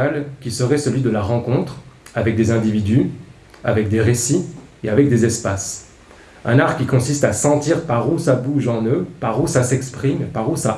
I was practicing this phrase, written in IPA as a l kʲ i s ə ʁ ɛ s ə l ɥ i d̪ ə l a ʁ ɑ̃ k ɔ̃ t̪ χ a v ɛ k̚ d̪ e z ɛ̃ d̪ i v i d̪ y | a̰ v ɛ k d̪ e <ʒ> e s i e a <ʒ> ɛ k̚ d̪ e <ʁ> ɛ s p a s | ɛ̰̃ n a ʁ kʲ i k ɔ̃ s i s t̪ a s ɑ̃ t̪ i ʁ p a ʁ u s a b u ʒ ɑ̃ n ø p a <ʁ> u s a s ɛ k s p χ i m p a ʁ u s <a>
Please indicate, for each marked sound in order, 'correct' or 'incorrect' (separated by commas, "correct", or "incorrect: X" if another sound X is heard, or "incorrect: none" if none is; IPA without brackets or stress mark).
incorrect: ʁ, incorrect: v, incorrect: z, correct, correct